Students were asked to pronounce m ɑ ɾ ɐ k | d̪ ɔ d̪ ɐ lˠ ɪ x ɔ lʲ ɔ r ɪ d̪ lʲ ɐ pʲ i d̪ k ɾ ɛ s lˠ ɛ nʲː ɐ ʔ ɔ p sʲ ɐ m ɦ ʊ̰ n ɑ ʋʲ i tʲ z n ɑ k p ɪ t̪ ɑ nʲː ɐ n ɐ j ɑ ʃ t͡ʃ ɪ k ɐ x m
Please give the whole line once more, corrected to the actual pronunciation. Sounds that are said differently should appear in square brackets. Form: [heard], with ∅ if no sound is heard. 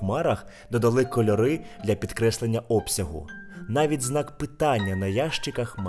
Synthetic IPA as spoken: m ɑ ɾ ɐ [x] | d̪ ɔ d̪ ɐ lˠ ɪ [k] ɔ lʲ ɔ [ɾ] ɪ d̪ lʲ ɐ pʲ i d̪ k ɾ ɛ s lˠ [e] nʲː ɐ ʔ ɔ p sʲ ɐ [∅] ɦ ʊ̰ n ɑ ʋʲ i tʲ z n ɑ k p ɪ t̪ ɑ nʲː ɐ n ɐ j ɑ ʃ t͡ʃ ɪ k ɐ x m